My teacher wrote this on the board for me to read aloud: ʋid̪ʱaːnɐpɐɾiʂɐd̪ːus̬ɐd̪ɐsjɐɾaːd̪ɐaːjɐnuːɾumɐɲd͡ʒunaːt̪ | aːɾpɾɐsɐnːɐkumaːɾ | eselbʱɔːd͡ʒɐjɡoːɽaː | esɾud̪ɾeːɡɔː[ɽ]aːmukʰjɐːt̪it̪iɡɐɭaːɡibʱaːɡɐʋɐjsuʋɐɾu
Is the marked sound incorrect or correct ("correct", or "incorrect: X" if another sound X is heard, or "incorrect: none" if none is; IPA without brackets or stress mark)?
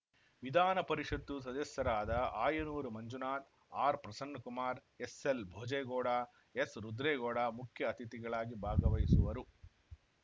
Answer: correct